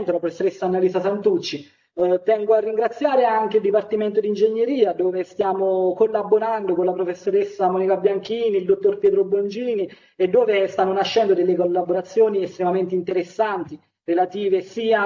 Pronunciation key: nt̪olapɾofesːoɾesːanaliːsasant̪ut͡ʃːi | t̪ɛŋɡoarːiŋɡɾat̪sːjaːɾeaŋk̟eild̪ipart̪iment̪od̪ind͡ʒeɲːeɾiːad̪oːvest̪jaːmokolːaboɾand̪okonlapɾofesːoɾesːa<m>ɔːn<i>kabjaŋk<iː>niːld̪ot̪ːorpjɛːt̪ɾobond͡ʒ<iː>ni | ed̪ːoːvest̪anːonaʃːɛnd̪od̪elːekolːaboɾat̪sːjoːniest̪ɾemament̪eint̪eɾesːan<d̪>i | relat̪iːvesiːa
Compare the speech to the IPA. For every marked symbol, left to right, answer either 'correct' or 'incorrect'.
correct, correct, correct, correct, incorrect: t̪

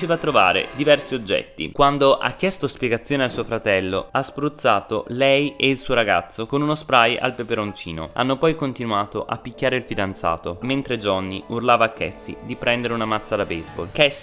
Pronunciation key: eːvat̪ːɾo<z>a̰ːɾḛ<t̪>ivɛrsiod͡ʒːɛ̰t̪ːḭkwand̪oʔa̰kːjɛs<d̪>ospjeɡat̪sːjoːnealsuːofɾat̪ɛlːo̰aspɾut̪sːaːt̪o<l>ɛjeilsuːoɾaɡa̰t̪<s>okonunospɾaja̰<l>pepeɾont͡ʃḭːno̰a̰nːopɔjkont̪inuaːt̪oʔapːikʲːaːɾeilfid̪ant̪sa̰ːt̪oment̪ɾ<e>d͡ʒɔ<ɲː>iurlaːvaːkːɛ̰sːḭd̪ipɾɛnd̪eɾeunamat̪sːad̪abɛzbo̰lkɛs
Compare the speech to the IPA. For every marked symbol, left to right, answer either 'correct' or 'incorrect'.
incorrect: v, incorrect: d̪, incorrect: t̪, correct, incorrect: sː, correct, correct, incorrect: nː

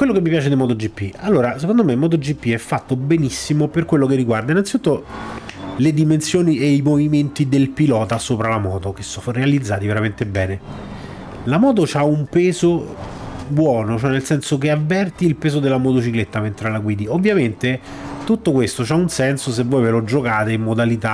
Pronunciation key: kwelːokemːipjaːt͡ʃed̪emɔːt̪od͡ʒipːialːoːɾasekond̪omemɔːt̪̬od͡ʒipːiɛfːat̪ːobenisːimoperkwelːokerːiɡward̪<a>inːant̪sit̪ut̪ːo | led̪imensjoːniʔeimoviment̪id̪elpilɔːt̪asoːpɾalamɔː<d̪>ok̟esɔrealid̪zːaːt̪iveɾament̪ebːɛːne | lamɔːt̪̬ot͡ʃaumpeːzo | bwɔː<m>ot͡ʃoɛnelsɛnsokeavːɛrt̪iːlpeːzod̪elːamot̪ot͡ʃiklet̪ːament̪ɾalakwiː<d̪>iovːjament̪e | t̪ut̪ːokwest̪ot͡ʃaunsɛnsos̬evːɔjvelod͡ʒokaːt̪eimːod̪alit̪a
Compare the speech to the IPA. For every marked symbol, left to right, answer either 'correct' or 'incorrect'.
correct, incorrect: t̪, incorrect: n, correct

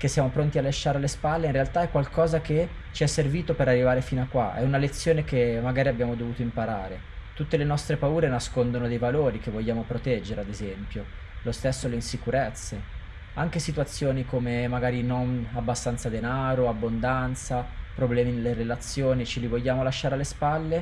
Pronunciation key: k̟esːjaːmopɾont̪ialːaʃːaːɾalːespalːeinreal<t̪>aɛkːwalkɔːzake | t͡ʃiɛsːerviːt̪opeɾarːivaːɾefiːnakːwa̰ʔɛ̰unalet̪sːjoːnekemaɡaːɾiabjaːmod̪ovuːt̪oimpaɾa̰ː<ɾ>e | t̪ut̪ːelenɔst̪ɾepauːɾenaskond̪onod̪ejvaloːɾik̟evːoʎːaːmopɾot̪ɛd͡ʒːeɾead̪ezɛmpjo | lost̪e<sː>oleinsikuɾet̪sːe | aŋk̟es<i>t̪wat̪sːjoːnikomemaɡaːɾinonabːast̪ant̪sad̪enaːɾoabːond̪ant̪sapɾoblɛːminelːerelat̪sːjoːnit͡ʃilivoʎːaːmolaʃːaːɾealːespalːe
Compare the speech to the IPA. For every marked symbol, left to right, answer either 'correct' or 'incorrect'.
correct, correct, correct, correct

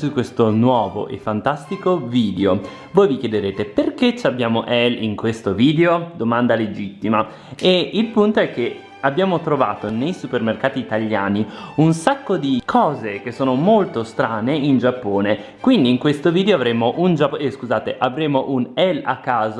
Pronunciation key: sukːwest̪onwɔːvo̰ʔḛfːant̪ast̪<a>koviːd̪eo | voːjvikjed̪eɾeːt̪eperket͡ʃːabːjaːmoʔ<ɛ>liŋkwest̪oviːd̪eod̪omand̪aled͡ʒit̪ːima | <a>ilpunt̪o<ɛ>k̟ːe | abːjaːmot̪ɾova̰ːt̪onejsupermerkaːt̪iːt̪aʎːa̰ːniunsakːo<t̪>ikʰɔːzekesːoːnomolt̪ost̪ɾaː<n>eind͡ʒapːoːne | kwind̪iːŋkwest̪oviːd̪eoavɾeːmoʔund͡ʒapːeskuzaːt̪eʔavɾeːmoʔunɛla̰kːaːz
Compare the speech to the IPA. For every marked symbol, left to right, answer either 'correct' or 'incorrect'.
incorrect: i, correct, incorrect: e, correct, incorrect: d̪, correct

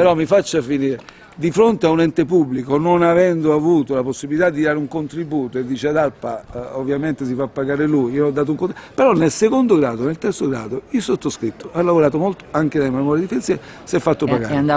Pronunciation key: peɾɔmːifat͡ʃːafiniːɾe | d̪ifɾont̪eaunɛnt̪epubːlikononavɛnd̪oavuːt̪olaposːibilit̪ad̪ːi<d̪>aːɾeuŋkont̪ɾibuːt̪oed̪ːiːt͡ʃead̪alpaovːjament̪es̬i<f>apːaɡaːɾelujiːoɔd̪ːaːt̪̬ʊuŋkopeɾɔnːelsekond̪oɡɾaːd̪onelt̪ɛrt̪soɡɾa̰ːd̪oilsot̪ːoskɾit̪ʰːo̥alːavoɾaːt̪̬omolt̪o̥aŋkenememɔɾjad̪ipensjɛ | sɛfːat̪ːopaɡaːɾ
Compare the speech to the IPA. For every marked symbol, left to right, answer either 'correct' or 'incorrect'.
correct, correct

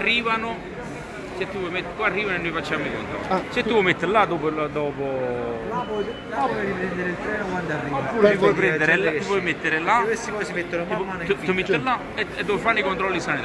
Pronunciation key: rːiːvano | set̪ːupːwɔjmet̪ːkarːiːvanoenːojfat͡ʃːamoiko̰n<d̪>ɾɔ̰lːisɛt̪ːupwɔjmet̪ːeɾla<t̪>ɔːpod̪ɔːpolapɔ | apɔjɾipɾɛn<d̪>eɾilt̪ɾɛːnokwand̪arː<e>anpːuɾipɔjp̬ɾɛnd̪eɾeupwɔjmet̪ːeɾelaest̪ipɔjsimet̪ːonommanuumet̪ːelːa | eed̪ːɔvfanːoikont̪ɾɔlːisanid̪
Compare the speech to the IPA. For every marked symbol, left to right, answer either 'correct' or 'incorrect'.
incorrect: t̪, incorrect: d̪, correct, incorrect: i

